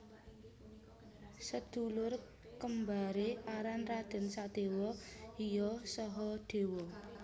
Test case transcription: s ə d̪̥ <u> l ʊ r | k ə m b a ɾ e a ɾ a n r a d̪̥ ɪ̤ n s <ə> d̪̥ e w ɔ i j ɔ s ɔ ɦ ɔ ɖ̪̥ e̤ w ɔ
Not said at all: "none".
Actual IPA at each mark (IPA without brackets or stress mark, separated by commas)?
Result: u, a